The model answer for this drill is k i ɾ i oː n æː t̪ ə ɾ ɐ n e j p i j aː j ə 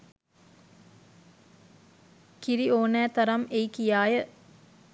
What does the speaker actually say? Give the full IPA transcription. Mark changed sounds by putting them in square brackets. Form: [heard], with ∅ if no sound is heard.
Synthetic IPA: k i ɾ i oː n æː t̪ [ɐ] ɾ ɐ [m] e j [k] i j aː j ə